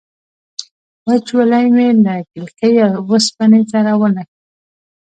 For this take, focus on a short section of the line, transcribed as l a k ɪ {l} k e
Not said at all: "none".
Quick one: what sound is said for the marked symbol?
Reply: l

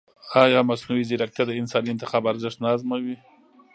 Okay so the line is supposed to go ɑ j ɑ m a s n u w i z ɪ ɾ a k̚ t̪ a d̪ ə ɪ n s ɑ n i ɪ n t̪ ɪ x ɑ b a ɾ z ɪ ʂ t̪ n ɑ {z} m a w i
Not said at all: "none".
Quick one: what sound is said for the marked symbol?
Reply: z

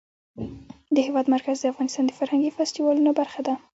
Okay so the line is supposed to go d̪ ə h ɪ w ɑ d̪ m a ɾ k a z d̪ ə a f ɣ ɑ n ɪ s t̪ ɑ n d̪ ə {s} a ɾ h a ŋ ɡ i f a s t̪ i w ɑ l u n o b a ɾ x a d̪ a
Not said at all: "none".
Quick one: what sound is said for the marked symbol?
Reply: f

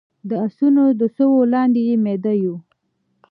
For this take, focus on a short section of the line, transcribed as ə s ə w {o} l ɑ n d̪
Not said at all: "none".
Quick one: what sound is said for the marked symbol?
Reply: o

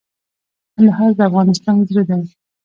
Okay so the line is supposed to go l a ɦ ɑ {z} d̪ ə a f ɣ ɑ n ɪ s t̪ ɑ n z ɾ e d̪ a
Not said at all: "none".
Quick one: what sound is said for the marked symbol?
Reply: z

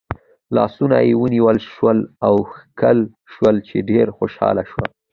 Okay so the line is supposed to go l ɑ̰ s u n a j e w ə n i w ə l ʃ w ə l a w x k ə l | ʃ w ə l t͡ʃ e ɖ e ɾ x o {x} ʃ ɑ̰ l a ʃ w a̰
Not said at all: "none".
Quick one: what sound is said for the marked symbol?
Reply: none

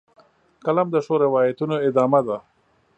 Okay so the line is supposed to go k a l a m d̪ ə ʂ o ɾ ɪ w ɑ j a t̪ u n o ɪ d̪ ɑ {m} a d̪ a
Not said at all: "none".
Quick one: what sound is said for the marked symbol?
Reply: m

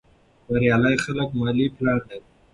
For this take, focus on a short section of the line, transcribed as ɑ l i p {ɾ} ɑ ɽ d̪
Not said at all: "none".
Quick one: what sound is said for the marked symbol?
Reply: l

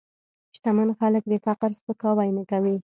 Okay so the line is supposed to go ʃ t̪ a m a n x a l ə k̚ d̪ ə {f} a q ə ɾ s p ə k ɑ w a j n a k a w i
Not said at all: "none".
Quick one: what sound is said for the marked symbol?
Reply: f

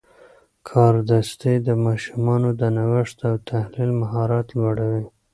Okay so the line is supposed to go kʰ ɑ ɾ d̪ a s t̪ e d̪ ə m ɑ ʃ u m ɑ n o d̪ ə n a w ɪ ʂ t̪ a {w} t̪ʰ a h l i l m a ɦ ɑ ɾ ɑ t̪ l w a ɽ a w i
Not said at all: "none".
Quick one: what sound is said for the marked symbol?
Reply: w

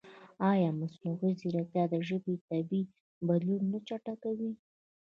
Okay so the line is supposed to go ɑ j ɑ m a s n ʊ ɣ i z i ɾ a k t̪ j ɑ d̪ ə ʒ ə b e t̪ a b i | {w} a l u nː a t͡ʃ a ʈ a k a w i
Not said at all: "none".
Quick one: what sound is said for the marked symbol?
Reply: b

